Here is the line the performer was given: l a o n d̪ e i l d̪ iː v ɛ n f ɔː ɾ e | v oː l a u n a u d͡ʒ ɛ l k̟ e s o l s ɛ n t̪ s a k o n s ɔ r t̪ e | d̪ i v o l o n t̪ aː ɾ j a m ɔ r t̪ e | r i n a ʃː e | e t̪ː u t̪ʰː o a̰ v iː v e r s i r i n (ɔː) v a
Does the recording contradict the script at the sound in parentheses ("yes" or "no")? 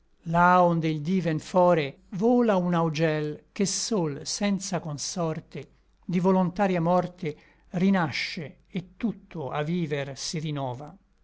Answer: no